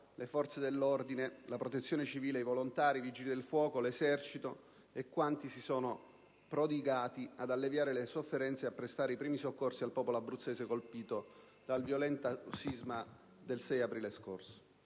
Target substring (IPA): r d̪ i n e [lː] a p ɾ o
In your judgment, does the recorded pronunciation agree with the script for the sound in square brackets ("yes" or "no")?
no